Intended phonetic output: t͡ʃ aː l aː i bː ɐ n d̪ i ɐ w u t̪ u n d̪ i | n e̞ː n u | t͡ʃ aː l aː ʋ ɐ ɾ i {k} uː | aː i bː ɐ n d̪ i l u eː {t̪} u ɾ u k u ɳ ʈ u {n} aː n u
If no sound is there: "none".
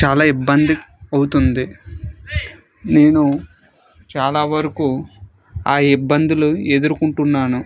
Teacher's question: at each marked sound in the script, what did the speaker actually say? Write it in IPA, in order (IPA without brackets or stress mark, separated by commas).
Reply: k, d̪, nː